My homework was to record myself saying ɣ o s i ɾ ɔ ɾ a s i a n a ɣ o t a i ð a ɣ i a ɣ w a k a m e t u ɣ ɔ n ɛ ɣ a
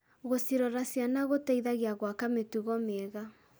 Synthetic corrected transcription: ɣ o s i ɾ ɔ ɾ a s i a n a ɣ o t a i ð a ɣ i a ɣ w a k a m e t u ɣ ɔ m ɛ ɣ a